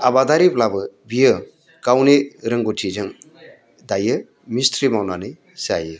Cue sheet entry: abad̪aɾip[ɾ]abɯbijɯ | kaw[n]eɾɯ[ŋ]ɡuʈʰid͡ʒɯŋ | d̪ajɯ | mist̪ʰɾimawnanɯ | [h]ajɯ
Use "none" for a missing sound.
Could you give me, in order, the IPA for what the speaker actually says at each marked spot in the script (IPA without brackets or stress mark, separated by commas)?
l, n, ŋ, s